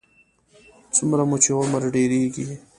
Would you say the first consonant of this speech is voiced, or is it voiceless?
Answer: voiceless